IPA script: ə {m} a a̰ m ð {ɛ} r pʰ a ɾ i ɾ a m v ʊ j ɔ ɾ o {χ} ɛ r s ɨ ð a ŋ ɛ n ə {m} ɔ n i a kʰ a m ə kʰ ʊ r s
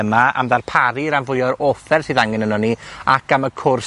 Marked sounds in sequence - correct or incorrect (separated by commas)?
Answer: correct, incorrect, incorrect, incorrect